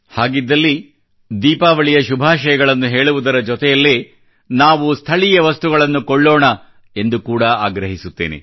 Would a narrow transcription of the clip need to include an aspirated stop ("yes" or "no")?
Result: yes